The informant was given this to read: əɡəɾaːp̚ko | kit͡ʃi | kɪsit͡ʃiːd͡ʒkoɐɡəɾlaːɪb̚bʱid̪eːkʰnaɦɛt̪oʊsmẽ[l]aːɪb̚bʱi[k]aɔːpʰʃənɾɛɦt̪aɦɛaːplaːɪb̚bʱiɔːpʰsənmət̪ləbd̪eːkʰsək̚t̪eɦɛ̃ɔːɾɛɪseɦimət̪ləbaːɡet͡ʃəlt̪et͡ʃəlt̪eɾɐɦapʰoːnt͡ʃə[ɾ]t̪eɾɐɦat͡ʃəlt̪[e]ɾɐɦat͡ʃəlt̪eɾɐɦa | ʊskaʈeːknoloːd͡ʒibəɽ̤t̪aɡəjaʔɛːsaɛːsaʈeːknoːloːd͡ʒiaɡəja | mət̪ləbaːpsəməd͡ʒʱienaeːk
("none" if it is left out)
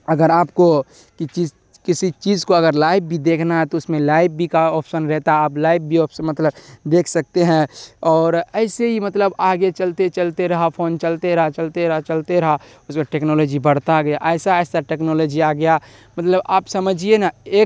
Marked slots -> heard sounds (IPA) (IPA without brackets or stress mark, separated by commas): l, k, l, e